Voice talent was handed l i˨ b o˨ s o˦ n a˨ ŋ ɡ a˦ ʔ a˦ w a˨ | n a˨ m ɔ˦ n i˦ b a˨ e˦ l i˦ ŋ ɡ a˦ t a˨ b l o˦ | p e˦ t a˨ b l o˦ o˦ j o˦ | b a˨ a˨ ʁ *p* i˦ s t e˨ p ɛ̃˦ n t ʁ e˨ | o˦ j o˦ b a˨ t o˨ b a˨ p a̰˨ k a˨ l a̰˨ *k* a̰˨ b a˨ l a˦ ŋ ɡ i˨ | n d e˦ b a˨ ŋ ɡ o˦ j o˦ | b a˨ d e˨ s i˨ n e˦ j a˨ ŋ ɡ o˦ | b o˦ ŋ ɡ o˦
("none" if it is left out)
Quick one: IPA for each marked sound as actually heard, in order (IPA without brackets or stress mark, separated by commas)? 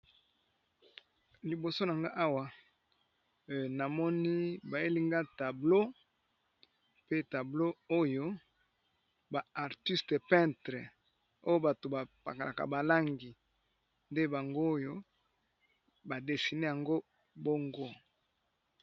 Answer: t, k